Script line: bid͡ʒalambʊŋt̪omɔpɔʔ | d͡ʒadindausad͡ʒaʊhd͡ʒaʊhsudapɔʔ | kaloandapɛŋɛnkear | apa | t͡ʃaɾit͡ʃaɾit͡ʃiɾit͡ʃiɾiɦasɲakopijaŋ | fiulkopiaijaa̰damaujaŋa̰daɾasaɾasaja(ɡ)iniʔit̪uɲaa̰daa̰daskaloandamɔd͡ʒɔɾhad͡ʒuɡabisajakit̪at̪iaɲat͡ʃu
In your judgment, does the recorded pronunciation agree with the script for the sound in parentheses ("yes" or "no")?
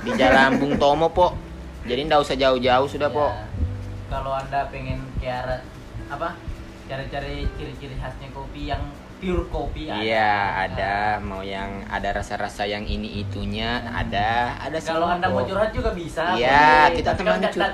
no